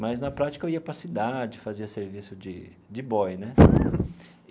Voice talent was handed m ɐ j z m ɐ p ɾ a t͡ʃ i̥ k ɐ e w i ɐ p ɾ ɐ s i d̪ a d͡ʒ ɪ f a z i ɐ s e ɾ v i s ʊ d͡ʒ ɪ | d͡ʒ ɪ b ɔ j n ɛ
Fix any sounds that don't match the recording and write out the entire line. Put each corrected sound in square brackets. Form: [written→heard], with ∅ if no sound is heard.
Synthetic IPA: m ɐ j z [m→n] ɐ p ɾ a t͡ʃ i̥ k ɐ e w i ɐ p ɾ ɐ s i d̪ a d͡ʒ ɪ f a z i ɐ s e ɾ v i s ʊ d͡ʒ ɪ | d͡ʒ ɪ b ɔ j n ɛ

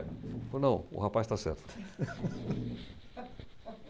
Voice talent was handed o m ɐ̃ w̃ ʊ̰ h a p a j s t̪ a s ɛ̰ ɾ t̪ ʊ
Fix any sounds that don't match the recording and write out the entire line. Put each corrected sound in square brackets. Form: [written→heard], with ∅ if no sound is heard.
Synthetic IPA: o [m→n] ɐ̃ w̃ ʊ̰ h a p a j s t̪ a s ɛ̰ ɾ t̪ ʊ

